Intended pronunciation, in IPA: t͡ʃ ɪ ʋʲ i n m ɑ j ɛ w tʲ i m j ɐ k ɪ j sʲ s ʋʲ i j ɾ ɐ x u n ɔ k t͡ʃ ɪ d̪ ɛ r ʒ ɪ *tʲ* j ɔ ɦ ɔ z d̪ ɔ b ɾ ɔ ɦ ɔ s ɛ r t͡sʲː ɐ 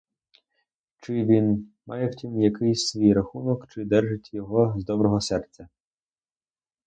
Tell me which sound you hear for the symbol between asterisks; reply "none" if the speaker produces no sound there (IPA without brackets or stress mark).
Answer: tʲ